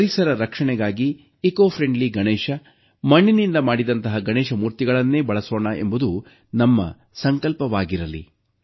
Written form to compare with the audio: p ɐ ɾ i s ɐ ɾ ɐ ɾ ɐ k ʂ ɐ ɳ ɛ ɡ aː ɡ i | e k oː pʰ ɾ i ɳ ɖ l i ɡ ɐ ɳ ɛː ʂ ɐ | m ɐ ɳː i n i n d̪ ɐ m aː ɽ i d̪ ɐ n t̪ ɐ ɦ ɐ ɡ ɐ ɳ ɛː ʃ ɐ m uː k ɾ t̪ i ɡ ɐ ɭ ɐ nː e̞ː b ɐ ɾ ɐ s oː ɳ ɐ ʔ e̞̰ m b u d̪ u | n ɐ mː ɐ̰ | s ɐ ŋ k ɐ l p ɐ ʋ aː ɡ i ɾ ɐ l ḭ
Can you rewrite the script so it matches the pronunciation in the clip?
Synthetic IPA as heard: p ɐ ɾ i s ɐ ɾ ɐ ɾ ɐ k ʂ ɐ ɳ ɛ ɡ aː ɡ i | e k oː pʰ ɾ e ɳ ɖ l i ɡ ɐ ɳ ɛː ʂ ɐ | m ɐ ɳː i n i n d̪ ɐ m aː ɽ i d̪ ɐ n t̪ ɐ ɦ ɐ ɡ ɐ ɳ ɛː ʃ ɐ m uː ɾ t̪ i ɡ ɐ ɭ ɐ nː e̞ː b ɐ ɭ ɐ s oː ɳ ɐ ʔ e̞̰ m b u d̪ u | n ɐ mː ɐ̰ | s ɐ ŋ k ɐ l p ɐ ʋ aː ɡ i ɾ ɐ l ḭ